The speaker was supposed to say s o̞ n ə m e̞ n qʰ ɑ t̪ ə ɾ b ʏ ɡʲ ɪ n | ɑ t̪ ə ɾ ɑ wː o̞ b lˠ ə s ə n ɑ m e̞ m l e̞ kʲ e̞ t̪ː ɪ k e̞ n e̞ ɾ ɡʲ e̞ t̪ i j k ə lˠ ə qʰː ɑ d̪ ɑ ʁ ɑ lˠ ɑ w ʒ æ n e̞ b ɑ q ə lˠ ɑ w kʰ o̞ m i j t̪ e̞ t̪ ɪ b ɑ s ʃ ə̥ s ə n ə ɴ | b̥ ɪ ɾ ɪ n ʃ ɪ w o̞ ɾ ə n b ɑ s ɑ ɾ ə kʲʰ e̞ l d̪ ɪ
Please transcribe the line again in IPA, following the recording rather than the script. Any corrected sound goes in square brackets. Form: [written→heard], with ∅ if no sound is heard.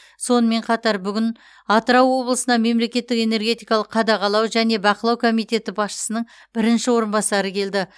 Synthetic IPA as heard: s o̞ n ə m e̞ [n→ɴ] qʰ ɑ t̪ [ə→ɑ] ɾ b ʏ ɡʲ ɪ n | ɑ t̪ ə ɾ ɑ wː o̞ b lˠ ə s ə n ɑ m e̞ m l e̞ kʲ e̞ t̪ː ɪ k e̞ n e̞ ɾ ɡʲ e̞ t̪ i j k [ə→ɑ] lˠ ə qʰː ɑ d̪ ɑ ʁ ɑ lˠ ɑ w ʒ æ n e̞ b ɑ q ə lˠ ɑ w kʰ o̞ m i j t̪ e̞ t̪ ɪ b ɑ s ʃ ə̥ s ə n ə ɴ | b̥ ɪ ɾ ɪ n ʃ ɪ w o̞ ɾ ə n b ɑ s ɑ ɾ ə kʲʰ e̞ l d̪ ɪ